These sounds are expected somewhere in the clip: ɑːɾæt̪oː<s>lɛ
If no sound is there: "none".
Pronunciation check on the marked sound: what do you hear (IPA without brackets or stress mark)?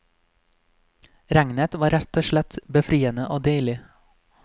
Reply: ʃ